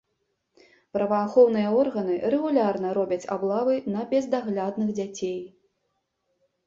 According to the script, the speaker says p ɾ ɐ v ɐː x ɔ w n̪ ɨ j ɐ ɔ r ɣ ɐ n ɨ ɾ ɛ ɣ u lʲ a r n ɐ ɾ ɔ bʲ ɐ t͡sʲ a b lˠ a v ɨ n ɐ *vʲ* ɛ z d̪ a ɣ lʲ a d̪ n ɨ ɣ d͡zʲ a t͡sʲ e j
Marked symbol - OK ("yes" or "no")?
no